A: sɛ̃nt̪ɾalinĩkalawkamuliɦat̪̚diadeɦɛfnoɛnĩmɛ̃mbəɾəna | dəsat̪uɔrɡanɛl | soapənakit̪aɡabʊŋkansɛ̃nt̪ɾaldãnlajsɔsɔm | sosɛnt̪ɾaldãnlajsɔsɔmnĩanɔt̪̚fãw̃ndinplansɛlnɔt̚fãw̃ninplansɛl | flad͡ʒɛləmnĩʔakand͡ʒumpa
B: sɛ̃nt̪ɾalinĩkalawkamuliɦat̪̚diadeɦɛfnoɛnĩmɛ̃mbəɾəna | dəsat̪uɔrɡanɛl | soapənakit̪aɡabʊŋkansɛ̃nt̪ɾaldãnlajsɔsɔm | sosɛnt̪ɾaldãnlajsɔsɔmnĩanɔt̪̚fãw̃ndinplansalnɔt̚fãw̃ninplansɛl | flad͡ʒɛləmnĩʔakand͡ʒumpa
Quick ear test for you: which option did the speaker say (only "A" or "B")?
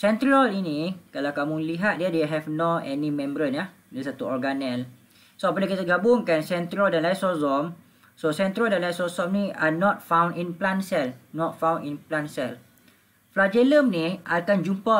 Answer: A